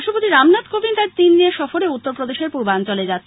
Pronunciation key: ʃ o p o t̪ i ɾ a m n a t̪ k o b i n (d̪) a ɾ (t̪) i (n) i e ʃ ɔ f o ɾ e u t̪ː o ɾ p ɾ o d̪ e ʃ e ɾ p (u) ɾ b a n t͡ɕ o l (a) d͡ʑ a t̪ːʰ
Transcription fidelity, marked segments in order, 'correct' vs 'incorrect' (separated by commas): incorrect, correct, incorrect, correct, incorrect